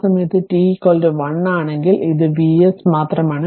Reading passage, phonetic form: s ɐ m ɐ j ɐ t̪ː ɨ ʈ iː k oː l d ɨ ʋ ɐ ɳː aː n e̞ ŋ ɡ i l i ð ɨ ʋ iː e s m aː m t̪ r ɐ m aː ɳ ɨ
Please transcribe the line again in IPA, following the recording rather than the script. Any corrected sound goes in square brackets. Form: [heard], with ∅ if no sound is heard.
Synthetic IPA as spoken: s ɐ m ɐ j ɐ t̪ː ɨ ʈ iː k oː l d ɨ ʋ ɐ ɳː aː [ɳ] e̞ ŋ ɡ i l i ð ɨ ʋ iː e s m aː [∅] t̪ r ɐ m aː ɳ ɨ